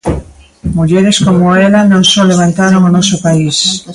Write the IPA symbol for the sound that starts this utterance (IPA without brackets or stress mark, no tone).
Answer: m